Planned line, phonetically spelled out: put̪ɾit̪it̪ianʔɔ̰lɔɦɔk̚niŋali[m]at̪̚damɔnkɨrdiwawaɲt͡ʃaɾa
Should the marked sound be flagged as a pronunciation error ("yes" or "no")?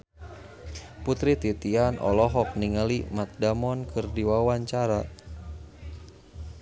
no